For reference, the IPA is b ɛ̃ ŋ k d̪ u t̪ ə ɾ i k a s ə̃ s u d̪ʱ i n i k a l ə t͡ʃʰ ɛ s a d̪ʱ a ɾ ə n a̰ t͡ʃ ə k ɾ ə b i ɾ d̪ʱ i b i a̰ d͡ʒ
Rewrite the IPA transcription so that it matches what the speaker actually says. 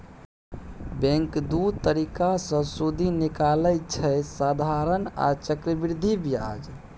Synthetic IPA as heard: b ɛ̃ ŋ k d̪ u t̪ ə ɾ i k a s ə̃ s u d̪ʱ i n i k a l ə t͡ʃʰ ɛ s a d̪ʱ a ɾ ə n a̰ t͡ʃ ə k ɾ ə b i ɾ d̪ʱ i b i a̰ d͡ʒ